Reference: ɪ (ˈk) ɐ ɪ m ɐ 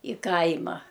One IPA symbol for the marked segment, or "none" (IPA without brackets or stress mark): k